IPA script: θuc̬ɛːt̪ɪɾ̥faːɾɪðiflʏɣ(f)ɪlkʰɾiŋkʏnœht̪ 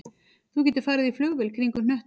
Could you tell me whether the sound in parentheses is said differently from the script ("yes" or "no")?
yes